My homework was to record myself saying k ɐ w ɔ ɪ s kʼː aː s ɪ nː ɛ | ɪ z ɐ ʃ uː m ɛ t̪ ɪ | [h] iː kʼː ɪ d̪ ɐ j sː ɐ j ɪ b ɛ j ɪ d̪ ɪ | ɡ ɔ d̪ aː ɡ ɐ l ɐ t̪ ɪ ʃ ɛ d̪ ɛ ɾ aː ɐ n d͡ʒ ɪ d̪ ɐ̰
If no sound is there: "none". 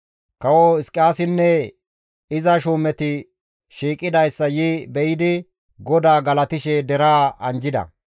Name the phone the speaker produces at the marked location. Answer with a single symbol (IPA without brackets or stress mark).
ʃ